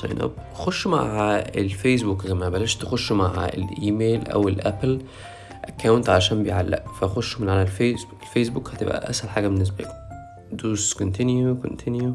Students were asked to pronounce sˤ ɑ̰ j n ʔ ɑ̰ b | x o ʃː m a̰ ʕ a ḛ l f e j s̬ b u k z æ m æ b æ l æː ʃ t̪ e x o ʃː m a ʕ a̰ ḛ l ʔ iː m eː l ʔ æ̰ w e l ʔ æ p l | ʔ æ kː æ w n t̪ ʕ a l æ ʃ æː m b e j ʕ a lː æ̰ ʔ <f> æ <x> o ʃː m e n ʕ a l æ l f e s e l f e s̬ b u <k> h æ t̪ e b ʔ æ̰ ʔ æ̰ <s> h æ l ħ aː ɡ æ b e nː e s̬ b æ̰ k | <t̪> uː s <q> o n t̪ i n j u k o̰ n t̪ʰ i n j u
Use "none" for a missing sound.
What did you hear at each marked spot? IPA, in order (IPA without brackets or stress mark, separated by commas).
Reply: f, x, k, s, d̪, k